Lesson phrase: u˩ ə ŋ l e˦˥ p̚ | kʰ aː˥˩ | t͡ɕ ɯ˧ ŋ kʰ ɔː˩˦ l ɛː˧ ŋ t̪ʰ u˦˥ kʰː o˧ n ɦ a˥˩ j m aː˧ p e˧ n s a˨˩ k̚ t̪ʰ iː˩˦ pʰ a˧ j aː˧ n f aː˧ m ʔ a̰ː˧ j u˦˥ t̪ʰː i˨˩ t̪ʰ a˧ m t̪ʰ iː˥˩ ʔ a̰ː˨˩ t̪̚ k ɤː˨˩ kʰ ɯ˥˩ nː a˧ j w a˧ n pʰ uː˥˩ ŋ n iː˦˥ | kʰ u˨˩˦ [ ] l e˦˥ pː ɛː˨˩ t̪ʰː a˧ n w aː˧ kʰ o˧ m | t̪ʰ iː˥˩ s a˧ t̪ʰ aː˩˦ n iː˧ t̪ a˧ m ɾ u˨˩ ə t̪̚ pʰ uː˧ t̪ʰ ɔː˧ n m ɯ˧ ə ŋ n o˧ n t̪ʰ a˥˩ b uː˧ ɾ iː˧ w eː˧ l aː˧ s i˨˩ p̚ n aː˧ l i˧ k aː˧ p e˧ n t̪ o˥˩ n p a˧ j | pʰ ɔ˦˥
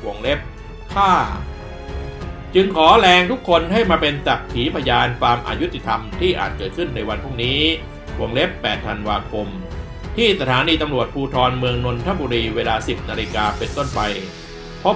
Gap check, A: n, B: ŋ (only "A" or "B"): B